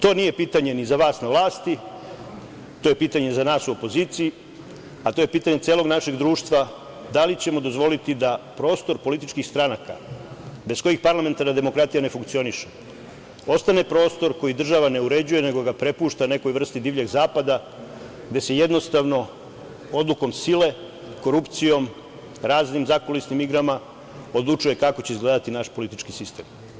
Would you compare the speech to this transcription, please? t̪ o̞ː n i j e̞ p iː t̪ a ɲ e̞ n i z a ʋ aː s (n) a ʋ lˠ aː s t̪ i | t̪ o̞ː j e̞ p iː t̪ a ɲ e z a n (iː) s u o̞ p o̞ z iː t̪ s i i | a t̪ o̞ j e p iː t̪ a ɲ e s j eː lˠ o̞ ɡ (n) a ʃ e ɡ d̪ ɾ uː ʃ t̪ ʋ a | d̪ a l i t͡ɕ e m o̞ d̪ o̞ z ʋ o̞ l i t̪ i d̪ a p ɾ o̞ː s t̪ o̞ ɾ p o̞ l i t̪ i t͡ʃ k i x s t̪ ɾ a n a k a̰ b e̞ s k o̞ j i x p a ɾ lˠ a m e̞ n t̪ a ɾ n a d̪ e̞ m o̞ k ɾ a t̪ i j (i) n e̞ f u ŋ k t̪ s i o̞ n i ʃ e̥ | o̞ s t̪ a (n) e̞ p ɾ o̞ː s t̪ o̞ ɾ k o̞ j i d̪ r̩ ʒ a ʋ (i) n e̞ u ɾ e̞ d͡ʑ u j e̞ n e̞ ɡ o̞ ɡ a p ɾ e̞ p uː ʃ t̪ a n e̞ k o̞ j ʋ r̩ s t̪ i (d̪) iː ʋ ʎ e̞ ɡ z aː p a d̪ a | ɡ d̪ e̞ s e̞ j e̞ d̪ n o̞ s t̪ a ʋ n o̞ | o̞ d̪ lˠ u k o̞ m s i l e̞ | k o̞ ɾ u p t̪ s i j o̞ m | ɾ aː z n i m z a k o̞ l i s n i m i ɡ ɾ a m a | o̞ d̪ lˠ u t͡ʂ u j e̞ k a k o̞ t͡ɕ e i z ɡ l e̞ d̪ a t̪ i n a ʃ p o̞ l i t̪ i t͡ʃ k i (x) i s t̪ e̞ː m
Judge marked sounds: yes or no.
yes, no, yes, no, yes, no, yes, no

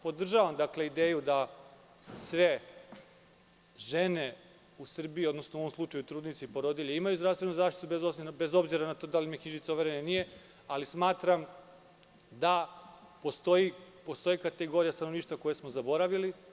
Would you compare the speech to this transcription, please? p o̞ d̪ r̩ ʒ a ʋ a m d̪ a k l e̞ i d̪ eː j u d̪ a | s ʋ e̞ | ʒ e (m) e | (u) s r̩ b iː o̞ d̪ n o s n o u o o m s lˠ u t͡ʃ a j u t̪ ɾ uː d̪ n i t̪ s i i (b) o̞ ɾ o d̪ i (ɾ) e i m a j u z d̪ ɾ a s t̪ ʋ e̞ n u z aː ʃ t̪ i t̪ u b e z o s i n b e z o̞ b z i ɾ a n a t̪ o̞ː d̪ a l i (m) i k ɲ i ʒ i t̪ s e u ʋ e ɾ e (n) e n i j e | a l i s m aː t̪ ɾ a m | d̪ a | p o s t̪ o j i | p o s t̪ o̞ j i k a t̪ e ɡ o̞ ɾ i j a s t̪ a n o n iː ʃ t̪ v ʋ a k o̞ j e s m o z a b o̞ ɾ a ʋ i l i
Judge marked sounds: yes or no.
no, yes, no, no, yes, yes

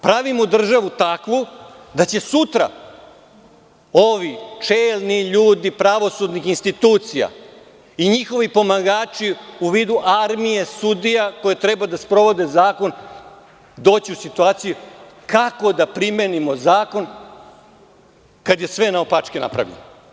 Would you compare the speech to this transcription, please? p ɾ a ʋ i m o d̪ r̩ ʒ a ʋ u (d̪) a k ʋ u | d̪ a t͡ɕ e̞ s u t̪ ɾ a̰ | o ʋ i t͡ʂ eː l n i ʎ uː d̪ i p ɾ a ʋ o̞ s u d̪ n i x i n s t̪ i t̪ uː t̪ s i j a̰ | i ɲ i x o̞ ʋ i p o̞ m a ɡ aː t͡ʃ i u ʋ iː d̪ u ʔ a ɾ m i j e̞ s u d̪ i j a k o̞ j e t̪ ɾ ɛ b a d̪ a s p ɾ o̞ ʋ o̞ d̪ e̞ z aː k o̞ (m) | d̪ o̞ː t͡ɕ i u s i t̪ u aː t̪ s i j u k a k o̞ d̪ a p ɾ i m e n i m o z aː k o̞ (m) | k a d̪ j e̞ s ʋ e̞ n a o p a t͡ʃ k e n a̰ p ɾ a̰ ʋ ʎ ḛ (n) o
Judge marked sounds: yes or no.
no, no, no, yes

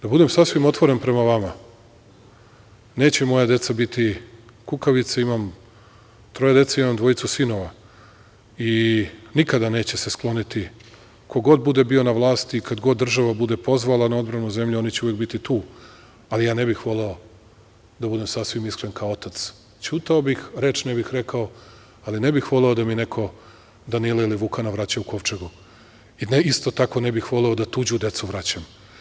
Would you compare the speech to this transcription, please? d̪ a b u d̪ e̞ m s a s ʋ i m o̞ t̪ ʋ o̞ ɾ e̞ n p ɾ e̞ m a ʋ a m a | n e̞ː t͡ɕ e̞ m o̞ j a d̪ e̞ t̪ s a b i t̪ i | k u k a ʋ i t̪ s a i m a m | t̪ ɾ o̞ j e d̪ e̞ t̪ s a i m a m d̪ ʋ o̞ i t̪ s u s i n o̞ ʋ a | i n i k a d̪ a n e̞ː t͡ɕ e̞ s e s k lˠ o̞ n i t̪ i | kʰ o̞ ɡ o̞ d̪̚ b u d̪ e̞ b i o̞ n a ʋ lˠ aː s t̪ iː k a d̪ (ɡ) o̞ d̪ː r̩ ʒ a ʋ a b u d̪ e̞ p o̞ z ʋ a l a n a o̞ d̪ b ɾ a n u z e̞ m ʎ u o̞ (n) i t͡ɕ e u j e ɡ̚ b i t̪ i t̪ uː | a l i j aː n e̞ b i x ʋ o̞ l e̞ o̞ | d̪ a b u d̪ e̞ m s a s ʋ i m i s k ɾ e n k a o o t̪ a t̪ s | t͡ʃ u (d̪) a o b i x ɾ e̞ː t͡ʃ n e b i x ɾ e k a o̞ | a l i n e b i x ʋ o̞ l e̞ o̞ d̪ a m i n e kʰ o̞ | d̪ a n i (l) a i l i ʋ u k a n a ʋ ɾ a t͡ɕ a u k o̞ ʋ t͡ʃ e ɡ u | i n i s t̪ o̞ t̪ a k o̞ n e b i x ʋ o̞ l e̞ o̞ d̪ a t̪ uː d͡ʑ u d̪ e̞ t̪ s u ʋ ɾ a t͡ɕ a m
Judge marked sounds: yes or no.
yes, yes, no, yes

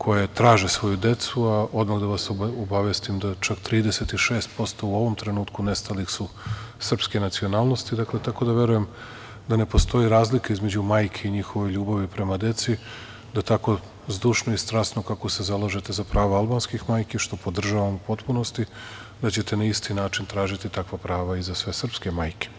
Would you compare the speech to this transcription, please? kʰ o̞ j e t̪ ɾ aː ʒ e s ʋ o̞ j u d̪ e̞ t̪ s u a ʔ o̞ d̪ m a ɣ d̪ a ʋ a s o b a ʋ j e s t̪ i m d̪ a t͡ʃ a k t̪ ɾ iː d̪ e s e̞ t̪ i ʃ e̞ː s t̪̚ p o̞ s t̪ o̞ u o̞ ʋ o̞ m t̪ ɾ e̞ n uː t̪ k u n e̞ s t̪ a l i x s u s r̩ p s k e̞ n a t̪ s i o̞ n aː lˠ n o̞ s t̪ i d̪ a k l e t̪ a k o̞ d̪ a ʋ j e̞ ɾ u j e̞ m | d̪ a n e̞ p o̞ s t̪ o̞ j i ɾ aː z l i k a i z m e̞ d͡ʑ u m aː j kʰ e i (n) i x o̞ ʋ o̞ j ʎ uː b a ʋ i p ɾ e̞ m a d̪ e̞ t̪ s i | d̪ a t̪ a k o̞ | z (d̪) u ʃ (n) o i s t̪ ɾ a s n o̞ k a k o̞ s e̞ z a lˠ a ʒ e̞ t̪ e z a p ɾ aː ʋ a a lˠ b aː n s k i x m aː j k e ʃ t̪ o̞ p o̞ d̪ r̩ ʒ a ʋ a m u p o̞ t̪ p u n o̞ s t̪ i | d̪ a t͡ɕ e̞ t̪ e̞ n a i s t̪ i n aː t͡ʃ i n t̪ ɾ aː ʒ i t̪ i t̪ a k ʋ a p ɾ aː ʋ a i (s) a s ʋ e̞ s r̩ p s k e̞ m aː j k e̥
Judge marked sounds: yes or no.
no, yes, yes, no

